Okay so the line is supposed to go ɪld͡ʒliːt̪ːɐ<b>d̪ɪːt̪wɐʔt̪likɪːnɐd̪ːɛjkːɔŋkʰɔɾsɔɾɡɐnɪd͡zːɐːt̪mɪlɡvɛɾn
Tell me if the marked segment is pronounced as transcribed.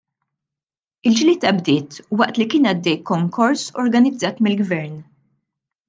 yes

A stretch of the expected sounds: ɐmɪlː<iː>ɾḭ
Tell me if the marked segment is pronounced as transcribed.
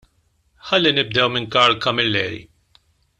no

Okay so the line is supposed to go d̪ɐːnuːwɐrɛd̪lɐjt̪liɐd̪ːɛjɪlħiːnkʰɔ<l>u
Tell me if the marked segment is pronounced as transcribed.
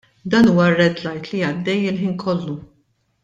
no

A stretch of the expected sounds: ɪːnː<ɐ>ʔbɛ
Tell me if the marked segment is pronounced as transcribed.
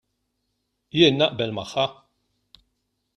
yes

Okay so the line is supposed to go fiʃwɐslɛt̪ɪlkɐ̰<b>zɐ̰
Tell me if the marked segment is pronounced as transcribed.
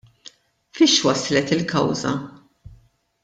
no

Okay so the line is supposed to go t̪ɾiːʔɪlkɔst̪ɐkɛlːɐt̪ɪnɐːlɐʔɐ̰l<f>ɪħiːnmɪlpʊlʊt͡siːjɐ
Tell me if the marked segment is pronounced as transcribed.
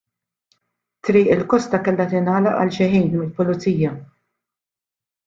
no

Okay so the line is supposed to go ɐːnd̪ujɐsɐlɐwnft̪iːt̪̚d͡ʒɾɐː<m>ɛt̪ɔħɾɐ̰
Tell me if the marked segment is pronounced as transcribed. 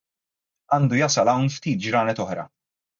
no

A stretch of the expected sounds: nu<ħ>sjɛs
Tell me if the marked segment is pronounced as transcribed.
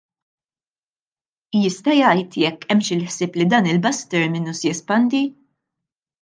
no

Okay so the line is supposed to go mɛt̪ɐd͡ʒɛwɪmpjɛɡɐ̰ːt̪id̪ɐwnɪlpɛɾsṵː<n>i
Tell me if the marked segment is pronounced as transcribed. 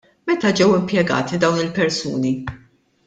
yes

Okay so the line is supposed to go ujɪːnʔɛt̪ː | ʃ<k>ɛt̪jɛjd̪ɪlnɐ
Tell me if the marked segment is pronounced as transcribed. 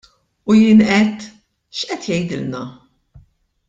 no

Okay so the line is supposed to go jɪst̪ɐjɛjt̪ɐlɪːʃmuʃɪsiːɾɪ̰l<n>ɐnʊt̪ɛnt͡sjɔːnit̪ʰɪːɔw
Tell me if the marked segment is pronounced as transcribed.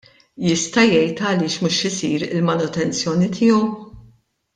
no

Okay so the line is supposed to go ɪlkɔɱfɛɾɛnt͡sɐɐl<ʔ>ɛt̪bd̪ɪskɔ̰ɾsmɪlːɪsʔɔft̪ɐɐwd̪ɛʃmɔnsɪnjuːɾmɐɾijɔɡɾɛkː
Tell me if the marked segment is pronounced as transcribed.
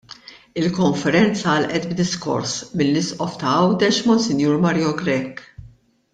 yes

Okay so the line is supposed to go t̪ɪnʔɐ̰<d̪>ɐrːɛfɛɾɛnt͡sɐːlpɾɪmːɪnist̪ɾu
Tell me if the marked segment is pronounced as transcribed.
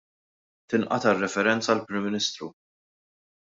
no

